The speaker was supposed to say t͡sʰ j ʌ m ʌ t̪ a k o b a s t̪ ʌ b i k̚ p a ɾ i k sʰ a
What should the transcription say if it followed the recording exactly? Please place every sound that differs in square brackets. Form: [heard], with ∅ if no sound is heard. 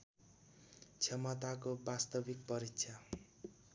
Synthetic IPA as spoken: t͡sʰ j ʌ m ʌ t̪ a k o b a s t̪ ʌ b i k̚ p [ʌ] ɾ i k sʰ a